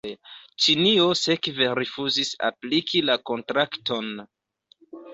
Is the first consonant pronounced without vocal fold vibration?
yes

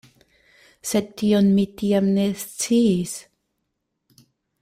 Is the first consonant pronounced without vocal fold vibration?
yes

